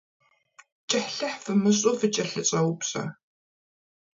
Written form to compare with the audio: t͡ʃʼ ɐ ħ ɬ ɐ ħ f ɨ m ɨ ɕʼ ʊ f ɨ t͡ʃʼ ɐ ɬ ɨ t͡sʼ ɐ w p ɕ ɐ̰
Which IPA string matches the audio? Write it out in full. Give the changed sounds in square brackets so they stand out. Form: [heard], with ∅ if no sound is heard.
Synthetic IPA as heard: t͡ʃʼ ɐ ħ ɬ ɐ ħ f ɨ m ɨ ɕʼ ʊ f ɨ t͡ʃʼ ɐ ɬ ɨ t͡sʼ ɐ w p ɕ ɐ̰